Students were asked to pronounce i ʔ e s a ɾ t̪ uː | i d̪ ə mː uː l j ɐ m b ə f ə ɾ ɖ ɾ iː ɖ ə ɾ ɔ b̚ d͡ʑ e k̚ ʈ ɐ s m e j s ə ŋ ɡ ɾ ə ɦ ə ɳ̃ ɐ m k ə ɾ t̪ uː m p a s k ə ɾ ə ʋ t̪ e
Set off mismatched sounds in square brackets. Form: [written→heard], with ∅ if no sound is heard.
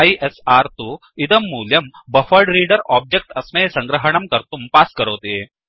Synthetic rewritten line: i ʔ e s a ɾ t̪ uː | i d̪ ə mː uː l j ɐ m b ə f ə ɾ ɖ ɾ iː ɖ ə ɾ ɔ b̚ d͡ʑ e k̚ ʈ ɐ s m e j s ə ŋ ɡ ɾ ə ɦ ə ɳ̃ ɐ m k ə ɾ t̪ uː m p a s k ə ɾ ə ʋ t̪ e

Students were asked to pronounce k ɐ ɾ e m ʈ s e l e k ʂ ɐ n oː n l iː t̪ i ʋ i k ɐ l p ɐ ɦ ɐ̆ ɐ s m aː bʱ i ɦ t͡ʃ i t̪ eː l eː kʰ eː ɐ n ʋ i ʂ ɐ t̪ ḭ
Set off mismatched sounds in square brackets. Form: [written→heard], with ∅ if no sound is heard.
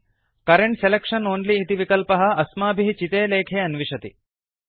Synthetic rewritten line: k ɐ ɾ e [m→ɳ] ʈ s e l e k ʂ ɐ n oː n l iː t̪ i ʋ i k ɐ l p ɐ ɦ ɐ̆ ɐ s m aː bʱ i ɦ t͡ʃ i t̪ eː l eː kʰ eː ɐ n ʋ i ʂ ɐ t̪ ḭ

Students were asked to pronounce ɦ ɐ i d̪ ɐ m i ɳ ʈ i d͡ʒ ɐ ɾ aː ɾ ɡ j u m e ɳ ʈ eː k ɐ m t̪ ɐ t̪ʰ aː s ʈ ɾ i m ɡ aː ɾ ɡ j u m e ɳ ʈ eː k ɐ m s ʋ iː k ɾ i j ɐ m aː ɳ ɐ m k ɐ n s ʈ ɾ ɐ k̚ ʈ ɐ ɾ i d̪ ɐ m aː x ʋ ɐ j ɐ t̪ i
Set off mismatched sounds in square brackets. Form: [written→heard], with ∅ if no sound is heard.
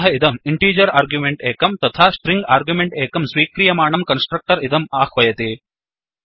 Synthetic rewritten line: ɦ ɐ i d̪ ɐ m i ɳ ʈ [i→iː] d͡ʒ ɐ ɾ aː ɾ ɡ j u m e ɳ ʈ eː k ɐ m t̪ ɐ t̪ʰ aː s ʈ ɾ i [m→ŋ] ɡ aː ɾ ɡ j u m e ɳ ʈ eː k ɐ m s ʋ iː k ɾ i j ɐ m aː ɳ ɐ m k ɐ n s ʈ ɾ ɐ k̚ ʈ ɐ ɾ i d̪ ɐ m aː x ʋ ɐ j ɐ t̪ i

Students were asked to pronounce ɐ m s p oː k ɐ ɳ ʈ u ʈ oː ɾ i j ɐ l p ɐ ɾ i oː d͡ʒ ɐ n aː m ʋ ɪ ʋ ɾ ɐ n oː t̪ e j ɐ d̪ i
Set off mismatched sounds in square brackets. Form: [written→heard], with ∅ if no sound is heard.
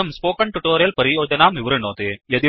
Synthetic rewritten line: ɐ m s p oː k ɐ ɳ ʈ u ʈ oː ɾ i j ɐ l p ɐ ɾ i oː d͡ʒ ɐ n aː m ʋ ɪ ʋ ɾ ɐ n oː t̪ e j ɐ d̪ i

